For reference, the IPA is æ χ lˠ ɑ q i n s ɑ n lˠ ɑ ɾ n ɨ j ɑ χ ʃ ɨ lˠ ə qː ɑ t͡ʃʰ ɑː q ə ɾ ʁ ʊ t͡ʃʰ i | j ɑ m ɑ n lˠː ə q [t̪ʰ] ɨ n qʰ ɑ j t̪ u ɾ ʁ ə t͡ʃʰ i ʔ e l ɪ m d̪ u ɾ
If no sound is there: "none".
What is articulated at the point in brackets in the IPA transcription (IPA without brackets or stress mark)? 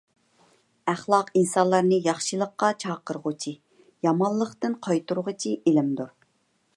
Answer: t̪